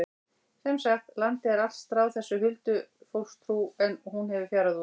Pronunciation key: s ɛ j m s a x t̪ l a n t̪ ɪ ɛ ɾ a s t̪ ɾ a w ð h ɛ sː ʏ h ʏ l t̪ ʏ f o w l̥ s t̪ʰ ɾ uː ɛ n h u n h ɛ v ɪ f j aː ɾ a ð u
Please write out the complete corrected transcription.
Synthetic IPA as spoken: s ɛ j m s a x t̪ l a n t̪ ɪ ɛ ɾ a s t̪ ɾ a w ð θ ɛ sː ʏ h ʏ l t̪ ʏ f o w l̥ s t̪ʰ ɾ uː ɛ n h u n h ɛ v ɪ f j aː ɾ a ð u

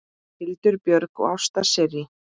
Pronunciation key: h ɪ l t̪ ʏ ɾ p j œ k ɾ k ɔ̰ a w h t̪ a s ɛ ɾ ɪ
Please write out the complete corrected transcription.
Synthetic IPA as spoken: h ɪ l t̪ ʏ ɾ p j œ ɾ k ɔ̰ a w s t̪ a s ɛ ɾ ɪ

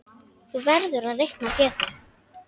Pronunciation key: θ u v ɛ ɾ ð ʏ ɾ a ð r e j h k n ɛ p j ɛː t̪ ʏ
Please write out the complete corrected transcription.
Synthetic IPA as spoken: θ u v ɛ ɾ ð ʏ ɾ a ð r e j h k n a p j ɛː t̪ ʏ

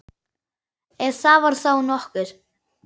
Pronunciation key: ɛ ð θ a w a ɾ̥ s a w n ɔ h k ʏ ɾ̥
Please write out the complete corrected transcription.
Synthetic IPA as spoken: ɛ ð θ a v a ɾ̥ θ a w n ɔ h k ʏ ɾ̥

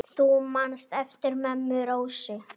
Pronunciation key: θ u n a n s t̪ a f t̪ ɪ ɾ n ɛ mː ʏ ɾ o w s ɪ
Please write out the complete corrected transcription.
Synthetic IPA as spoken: θ u m a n s t̪ ɛ f t̪ ɪ ɾ m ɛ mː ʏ ɾ o w s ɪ

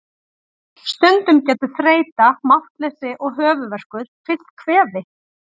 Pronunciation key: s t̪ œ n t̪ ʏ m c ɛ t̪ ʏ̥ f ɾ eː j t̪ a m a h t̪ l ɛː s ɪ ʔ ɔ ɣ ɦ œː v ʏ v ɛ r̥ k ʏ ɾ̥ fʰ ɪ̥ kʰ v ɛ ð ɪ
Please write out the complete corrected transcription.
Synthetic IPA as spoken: s t̪ œ n t̪ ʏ m c ɛː t̪ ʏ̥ θ ɾ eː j t̪ a m a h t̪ l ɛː s ɪ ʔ ɔ ɣ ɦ œː v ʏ v ɛ r̥ k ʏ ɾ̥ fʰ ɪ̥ kʰ v ɛː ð ɪ

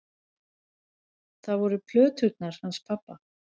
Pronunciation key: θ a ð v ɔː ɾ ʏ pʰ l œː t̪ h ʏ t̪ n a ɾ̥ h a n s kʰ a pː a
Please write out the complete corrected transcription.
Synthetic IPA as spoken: θ a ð v ɔ ɾ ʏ pʰ l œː t̪ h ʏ t̪ n a ɾ̥ h a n s pʰ a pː a

